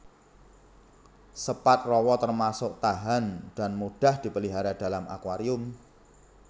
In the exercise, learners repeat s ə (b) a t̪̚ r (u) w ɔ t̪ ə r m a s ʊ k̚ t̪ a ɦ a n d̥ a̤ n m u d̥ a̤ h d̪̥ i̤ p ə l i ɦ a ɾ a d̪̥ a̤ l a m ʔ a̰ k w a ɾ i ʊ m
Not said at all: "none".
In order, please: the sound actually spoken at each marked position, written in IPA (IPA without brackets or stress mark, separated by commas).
p, ɔ